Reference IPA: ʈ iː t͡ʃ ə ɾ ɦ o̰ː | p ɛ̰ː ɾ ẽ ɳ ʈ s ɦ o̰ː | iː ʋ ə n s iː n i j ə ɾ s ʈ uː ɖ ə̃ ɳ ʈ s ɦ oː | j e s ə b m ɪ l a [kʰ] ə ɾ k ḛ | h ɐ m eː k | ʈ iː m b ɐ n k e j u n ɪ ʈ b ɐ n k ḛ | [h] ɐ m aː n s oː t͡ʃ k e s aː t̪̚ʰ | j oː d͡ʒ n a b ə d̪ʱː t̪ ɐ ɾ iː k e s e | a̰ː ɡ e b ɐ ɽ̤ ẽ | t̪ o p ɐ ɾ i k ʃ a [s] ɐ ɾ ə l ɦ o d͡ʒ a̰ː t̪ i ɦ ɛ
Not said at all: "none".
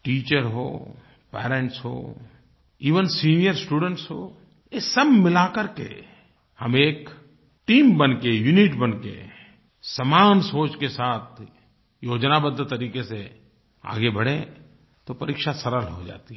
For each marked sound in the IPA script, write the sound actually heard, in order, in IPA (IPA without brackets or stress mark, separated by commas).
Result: k, s, s